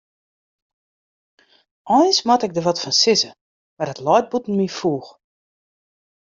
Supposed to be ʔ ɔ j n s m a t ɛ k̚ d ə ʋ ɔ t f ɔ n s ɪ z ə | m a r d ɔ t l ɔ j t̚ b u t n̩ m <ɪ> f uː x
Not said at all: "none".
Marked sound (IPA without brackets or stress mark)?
i